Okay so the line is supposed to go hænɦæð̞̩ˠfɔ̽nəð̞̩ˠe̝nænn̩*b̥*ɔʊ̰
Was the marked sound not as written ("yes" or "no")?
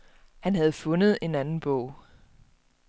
no